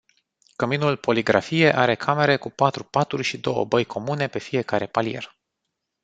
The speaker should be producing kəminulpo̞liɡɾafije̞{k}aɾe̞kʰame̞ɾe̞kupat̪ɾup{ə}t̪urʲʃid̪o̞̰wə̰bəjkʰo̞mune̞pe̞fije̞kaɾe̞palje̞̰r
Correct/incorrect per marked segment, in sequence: incorrect, incorrect

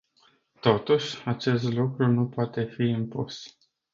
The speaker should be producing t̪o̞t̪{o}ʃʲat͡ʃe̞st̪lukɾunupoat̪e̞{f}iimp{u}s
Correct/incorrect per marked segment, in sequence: incorrect, correct, correct

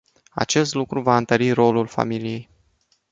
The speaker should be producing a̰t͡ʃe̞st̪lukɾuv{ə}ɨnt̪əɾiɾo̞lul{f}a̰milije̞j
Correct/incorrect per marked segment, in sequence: incorrect, correct

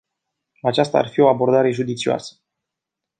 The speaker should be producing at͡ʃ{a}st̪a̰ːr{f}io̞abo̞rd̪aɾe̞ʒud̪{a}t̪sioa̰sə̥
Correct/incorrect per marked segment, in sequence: correct, correct, incorrect

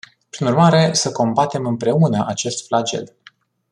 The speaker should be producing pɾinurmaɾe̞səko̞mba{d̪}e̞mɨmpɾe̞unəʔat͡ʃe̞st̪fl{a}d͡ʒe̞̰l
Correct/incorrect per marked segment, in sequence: incorrect, correct

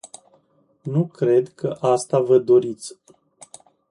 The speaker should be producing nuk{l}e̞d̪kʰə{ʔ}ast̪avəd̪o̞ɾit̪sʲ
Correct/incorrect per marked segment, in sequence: incorrect, correct

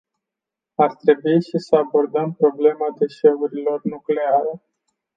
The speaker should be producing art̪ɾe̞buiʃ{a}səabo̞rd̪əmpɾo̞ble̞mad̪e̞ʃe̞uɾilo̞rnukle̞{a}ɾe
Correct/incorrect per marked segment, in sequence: incorrect, correct

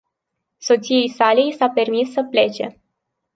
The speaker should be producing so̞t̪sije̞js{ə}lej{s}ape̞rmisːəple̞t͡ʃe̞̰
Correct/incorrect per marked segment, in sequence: incorrect, correct

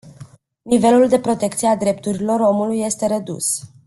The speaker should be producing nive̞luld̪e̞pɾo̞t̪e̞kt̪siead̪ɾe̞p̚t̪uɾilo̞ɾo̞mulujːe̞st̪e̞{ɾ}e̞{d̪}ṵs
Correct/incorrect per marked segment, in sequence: correct, correct

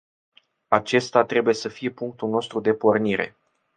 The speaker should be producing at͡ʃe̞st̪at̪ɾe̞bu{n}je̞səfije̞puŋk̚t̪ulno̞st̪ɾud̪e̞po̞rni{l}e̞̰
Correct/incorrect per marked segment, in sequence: incorrect, incorrect

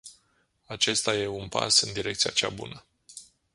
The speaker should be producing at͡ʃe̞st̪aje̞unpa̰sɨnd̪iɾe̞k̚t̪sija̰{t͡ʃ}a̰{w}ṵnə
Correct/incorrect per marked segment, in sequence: correct, incorrect

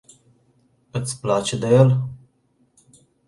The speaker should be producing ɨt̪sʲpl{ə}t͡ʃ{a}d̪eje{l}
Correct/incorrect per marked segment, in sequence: incorrect, incorrect, correct

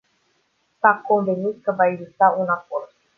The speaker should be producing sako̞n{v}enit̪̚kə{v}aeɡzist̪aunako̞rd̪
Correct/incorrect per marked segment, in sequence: correct, correct

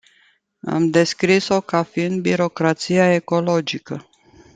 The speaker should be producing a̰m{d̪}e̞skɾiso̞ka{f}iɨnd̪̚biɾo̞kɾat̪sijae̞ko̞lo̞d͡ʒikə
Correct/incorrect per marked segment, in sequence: correct, correct

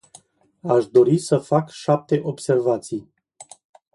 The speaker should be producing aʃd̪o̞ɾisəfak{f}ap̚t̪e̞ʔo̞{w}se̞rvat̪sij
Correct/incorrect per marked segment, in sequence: incorrect, incorrect

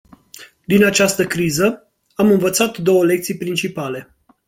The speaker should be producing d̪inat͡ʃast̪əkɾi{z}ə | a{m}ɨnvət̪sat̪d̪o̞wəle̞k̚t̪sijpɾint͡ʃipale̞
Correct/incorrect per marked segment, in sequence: correct, correct

